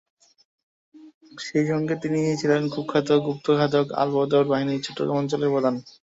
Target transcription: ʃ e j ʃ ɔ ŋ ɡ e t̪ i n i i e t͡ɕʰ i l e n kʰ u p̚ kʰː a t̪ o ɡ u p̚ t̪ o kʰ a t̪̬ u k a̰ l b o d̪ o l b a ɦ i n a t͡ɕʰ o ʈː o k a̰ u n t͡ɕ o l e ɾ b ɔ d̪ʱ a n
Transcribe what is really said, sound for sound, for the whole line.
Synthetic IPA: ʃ e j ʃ ɔ ŋ ɡ e t̪ i n i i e t͡ɕʰ i l e n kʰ u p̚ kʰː a t̪ o ɡ u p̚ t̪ o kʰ a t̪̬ o k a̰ l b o d̪ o ɾ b a ɦ i n i t͡ɕʰ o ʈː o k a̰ ɔ n t͡ɕ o l e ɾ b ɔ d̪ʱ a n